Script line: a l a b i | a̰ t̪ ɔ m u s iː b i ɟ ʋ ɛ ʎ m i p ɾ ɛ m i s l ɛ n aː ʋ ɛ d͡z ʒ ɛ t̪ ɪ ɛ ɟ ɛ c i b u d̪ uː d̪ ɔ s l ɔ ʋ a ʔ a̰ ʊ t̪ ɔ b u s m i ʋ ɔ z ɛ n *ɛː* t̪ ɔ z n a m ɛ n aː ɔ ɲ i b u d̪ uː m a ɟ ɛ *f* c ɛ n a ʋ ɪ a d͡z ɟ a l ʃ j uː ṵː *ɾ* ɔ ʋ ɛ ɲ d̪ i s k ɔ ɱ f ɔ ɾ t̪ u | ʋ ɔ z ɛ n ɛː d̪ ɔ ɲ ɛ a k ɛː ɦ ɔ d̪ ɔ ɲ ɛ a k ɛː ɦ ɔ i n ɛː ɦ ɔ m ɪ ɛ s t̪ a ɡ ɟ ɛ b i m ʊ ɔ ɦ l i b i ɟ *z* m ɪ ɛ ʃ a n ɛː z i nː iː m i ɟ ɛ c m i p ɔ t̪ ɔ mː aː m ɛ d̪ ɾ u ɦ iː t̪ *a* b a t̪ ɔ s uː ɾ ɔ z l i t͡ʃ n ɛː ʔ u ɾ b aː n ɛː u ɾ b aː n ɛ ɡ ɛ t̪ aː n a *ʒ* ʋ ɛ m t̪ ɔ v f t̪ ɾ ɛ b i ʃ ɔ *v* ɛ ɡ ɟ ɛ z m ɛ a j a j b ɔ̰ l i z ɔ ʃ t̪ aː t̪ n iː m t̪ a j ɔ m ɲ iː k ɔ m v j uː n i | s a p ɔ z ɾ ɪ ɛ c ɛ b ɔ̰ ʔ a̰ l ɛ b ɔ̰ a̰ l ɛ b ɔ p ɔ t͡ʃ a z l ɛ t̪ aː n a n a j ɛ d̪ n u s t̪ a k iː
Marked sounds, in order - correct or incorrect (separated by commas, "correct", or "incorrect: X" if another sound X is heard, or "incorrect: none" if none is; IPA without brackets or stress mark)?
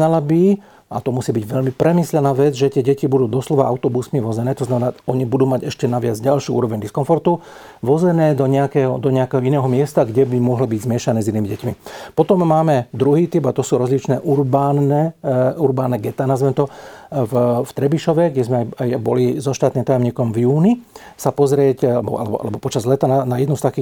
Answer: correct, incorrect: ʃ, correct, correct, incorrect: i, incorrect: z, incorrect: ʋ